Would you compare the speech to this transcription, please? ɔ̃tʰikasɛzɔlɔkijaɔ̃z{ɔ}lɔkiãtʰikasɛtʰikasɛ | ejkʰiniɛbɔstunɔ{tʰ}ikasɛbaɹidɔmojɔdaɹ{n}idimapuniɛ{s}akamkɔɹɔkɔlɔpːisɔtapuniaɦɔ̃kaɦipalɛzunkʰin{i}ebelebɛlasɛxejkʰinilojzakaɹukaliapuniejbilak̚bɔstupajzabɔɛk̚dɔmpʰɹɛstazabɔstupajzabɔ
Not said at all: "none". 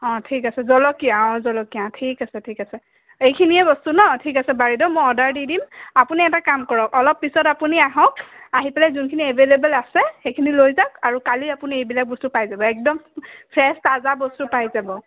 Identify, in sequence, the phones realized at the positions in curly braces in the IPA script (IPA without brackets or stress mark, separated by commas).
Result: ɔ, tʰ, d, t, i